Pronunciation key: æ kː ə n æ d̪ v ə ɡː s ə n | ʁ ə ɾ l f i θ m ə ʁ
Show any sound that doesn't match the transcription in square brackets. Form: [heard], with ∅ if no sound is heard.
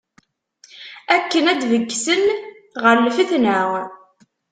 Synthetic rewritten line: æ kː ə n æ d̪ v ə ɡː s ə n | ʁ ə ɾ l f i θ [n] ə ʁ

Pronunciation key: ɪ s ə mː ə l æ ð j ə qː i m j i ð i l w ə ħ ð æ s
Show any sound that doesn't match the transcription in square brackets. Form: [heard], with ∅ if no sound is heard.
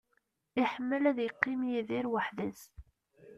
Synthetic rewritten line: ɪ [ħ] ə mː ə l æ ð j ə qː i m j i ð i [ɾ] w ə ħ ð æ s

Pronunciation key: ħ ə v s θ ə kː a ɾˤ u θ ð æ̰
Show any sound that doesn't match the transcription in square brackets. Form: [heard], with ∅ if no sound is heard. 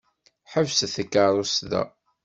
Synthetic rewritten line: ħ ə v s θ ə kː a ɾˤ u [s] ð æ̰

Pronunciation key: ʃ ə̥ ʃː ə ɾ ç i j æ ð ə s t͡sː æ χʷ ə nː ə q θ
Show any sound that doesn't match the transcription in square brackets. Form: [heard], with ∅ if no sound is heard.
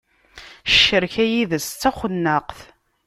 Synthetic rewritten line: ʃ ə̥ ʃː ə ɾ ç [æ] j [i] ð ə s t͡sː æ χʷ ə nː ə q θ

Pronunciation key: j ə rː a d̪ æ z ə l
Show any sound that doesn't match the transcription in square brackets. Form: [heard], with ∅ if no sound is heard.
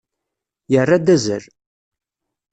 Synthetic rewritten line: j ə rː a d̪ æ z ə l

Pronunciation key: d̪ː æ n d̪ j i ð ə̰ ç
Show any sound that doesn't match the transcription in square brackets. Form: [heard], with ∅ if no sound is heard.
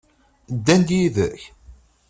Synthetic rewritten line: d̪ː æ n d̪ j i ð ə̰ ç

